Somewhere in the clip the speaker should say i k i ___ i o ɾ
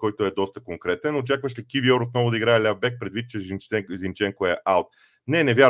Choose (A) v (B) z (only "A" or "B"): A